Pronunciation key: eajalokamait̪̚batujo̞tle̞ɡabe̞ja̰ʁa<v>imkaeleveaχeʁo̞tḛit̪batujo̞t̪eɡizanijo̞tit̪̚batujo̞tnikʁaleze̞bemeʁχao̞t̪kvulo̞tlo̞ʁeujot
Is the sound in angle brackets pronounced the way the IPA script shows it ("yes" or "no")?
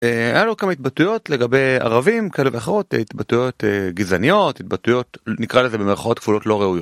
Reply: yes